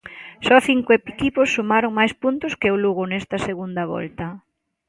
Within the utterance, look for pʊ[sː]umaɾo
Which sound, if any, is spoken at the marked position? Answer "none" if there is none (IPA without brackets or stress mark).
sː